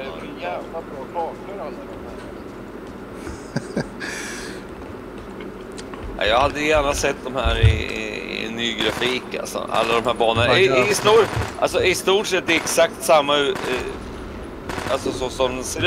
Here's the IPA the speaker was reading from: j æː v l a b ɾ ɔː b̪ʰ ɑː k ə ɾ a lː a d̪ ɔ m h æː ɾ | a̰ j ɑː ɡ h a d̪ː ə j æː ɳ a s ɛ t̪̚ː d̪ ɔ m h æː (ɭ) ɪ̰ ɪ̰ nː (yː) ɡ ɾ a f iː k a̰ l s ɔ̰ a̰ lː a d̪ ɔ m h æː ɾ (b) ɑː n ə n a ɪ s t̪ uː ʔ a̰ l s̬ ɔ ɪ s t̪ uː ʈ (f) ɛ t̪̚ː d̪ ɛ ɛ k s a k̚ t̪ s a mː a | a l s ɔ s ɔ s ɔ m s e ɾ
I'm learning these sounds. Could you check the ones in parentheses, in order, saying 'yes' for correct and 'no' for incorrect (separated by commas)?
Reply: no, yes, yes, no